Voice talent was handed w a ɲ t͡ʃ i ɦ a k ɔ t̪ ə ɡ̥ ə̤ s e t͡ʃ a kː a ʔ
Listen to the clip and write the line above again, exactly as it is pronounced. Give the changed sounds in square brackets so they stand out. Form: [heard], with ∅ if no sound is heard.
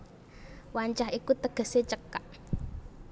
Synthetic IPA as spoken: w a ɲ t͡ʃ [a] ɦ [i] k [u] t̪ ə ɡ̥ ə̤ s e t͡ʃ [ə] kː a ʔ

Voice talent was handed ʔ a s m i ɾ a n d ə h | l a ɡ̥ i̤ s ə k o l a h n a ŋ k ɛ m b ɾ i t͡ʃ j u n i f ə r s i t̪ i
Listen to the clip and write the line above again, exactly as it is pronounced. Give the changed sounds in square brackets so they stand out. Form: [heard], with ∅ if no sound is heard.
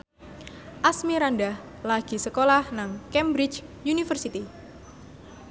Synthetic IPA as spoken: ʔ a s m i ɾ a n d [a] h | l a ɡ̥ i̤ s ə k o l a h n a ŋ k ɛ m b ɾ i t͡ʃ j u n i f ə r s i t̪ i

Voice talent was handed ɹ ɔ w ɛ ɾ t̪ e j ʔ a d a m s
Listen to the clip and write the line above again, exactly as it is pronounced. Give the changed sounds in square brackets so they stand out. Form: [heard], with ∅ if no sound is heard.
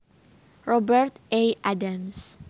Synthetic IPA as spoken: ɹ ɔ [b] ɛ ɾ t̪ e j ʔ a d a m s

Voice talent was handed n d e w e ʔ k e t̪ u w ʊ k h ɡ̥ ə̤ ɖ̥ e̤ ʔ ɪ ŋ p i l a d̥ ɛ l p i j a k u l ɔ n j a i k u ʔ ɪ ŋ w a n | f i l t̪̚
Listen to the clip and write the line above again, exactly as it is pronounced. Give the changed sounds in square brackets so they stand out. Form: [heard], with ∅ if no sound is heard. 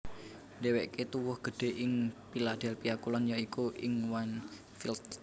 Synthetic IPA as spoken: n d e w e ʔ k e t̪ u w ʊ [∅] h ɡ̥ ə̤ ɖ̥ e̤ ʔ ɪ ŋ p i l a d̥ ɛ l p i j a k u l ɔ n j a i k u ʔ ɪ ŋ w a n | f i l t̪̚

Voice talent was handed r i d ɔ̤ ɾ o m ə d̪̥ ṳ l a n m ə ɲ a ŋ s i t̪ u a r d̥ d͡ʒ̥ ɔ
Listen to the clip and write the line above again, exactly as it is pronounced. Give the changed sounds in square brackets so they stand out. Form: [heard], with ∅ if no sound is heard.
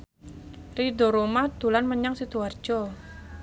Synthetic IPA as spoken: r i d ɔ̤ ɾ o m [a] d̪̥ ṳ l a n m ə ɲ a ŋ s i t̪ u a r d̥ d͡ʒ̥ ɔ

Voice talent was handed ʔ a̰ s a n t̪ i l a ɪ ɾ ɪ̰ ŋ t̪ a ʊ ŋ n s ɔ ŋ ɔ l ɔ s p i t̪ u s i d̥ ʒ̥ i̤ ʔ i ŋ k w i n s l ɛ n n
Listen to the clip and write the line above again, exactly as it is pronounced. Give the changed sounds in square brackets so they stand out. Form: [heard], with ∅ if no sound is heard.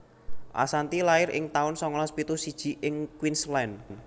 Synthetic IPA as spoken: ʔ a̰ s a n t̪ i l a ɪ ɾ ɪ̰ ŋ t̪ a ʊ [∅] n s ɔ ŋ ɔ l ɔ s p i t̪ u s i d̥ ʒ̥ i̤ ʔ [ɪ] ŋ k w i n s l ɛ n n

